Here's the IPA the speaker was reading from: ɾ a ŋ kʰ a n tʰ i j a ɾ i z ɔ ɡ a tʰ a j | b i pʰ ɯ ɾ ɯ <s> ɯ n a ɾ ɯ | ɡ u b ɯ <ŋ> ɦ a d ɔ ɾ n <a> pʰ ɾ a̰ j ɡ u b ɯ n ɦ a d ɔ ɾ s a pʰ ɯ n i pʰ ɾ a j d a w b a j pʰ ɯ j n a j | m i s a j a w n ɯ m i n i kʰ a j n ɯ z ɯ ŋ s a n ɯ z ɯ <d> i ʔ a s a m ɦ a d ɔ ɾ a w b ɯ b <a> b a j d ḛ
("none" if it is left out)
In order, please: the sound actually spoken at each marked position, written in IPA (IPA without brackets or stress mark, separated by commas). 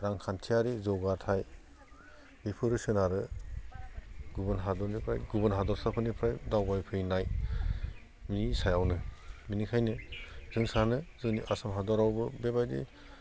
s, n, i, n, e